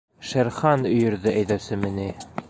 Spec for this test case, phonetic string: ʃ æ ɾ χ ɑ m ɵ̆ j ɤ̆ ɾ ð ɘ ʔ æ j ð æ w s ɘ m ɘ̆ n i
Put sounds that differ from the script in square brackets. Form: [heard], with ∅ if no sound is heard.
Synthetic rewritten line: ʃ æ ɾ χ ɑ [n] ɵ̆ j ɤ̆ ɾ ð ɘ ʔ æ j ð æ w s ɘ m ɘ̆ n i